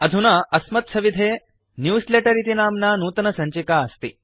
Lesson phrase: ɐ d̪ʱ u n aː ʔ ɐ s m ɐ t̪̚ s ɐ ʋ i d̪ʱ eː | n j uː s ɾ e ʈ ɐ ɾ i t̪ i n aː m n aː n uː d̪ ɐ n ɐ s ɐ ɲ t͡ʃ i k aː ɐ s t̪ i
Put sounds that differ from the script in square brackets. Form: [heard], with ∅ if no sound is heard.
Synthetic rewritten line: ɐ d̪ʱ u n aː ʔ ɐ s m ɐ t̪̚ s ɐ ʋ i d̪ʱ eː | n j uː s [l] e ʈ ɐ ɾ i t̪ i n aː m n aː n uː [t̪] ɐ n ɐ s ɐ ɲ t͡ʃ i k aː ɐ s t̪ i